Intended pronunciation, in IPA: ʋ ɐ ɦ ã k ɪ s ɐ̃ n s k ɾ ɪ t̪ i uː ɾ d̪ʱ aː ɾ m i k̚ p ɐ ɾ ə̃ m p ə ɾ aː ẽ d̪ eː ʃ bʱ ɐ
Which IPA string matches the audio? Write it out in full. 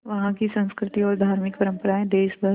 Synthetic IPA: ʋ ɐ ɦ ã k i s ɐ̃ n s k ɾ ɪ t̪ i ɔː ɾ d̪ʱ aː ɾ m ɪ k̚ p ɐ ɾ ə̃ m p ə ɾ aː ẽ d̪ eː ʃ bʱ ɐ